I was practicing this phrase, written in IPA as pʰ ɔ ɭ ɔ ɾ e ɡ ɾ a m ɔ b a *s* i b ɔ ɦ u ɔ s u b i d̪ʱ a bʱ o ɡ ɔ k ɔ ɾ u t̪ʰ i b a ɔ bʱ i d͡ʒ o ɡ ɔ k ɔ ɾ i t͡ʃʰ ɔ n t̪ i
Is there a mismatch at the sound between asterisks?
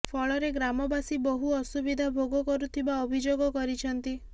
no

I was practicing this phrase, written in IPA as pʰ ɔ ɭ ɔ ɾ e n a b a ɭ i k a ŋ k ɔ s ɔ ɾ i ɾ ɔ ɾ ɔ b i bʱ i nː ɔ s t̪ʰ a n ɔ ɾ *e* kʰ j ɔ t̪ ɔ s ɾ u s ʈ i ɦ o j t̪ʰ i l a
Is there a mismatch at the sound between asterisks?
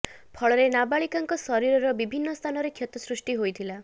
no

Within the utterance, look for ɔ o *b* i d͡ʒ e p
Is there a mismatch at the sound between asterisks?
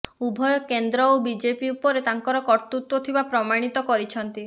no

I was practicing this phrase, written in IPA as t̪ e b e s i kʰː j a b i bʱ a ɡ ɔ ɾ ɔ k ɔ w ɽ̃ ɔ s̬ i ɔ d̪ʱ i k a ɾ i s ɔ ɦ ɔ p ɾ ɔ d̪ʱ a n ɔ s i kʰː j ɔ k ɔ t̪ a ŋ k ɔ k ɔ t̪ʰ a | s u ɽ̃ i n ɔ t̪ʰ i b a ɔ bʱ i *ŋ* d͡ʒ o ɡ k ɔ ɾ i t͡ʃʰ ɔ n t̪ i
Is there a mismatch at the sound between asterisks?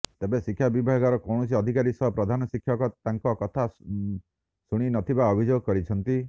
yes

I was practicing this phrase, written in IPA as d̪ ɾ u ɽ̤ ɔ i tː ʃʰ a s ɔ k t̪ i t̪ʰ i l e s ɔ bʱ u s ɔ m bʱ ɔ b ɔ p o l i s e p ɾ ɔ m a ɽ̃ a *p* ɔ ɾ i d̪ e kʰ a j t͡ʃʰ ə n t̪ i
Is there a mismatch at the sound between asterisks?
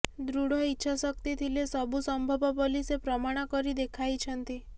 yes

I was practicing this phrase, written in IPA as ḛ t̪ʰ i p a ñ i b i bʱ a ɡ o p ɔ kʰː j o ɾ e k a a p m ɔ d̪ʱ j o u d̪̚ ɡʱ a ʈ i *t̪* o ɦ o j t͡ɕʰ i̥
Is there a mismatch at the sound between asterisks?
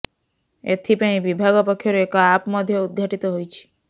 no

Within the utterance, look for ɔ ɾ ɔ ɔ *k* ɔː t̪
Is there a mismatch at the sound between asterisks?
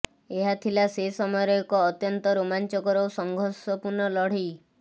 no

